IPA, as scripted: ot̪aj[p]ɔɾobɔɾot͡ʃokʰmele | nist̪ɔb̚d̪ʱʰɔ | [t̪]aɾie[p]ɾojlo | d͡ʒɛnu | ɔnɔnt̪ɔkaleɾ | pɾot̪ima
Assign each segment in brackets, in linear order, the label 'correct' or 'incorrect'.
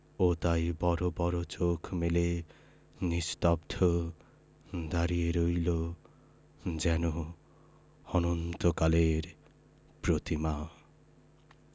incorrect: b, incorrect: d̪, incorrect: none

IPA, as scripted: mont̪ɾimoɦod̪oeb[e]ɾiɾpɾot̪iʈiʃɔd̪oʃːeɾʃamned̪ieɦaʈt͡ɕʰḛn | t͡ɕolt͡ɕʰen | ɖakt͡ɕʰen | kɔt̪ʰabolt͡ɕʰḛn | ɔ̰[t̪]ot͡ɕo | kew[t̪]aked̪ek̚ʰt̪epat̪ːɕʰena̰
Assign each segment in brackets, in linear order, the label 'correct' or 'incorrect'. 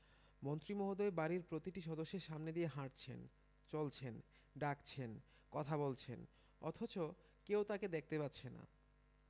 incorrect: a, incorrect: t̪ʰ, correct

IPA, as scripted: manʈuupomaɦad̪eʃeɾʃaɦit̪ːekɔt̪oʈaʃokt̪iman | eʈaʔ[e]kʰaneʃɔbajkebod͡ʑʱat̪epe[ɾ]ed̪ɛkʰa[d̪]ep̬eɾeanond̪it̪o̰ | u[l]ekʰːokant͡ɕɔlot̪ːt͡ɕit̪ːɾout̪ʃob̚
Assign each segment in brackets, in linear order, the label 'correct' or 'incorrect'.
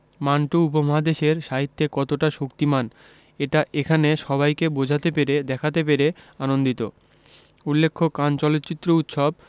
correct, correct, incorrect: t̪, incorrect: lː

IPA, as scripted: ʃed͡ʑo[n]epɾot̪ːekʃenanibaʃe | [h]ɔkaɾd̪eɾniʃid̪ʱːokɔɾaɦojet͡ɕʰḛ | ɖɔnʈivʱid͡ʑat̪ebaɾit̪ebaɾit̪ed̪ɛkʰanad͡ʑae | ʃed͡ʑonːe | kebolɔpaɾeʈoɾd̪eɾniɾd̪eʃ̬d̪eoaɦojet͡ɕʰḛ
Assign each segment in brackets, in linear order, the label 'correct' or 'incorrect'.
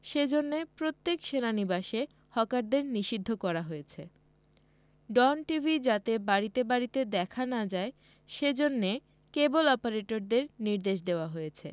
incorrect: nː, correct

